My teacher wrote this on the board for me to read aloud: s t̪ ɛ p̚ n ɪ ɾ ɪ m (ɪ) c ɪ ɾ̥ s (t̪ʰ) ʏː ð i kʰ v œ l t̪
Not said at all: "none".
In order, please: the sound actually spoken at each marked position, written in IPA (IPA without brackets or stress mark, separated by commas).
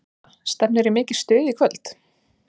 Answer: ɪː, t̪